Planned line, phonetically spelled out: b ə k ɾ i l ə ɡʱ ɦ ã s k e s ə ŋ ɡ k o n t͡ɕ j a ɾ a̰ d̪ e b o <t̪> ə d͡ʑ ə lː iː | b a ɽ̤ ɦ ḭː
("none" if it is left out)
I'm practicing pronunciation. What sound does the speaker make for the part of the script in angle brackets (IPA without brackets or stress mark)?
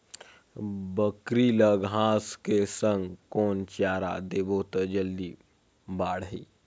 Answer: t̪